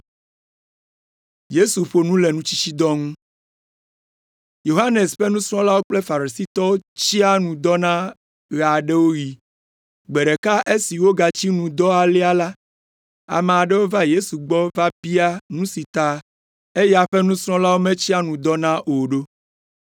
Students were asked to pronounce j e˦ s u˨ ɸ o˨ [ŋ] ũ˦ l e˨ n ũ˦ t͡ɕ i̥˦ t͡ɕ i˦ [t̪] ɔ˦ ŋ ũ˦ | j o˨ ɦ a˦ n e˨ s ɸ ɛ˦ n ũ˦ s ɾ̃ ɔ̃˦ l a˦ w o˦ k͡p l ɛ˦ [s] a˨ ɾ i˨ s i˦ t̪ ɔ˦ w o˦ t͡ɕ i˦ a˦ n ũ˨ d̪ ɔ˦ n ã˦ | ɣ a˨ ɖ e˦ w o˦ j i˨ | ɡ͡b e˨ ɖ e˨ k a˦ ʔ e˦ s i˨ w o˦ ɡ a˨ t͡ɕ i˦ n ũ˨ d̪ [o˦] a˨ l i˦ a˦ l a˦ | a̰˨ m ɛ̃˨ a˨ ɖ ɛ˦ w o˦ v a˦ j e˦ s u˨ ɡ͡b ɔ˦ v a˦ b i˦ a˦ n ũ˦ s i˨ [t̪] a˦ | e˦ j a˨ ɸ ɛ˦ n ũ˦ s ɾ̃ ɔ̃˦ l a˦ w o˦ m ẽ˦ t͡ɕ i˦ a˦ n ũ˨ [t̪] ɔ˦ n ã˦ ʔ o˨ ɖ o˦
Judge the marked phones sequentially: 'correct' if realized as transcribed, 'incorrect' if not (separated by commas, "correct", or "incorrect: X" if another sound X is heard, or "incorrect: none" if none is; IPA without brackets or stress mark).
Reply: incorrect: n, incorrect: d̪, incorrect: f, incorrect: ɔ˦, correct, incorrect: d̪